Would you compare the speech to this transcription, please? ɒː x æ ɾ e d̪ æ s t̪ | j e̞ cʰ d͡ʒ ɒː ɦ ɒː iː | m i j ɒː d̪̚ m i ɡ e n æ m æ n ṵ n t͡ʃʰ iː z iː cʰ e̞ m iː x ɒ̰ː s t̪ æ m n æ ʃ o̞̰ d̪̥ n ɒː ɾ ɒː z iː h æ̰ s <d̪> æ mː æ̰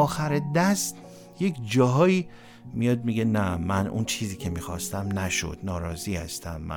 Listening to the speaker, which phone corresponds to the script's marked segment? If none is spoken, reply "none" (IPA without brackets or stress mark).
t̪